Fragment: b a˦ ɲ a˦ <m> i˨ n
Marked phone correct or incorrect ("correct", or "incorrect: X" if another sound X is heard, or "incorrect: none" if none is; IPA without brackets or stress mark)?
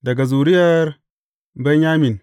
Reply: correct